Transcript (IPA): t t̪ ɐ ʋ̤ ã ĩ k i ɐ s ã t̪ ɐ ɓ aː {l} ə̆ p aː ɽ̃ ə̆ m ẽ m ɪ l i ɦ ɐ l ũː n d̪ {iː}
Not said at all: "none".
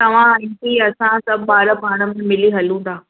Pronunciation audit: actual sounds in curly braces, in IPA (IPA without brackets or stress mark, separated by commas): ɾ, aː